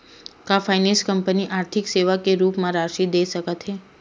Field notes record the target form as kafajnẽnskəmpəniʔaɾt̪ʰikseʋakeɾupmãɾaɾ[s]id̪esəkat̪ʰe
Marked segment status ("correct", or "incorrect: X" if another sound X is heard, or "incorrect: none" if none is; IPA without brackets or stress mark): incorrect: ʃ